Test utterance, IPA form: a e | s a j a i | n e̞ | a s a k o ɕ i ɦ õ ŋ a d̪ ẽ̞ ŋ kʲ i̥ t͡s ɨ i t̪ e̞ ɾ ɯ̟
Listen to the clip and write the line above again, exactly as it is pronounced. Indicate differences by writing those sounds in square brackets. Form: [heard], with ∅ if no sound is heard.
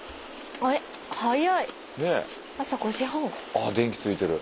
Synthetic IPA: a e | [h] a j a i | n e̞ | a s a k o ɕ i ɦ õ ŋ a d̪ ẽ̞ ŋ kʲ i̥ t͡s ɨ i t̪ e̞ ɾ ɯ̟